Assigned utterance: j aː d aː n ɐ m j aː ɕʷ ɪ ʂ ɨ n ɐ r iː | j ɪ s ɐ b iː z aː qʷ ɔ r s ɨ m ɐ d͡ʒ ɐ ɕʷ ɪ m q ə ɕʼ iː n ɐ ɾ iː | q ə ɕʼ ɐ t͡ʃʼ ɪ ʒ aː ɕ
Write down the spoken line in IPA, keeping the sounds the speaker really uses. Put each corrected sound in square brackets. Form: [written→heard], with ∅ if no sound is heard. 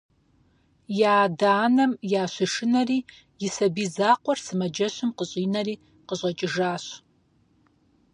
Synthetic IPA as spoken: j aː d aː n ɐ m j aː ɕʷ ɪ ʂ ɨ n ɐ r iː | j ɪ s ɐ b iː z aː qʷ ɔ r s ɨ m ɐ d͡ʒ ɐ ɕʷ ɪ m q ə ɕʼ iː n ɐ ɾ iː | q ə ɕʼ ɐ t͡ʃʼ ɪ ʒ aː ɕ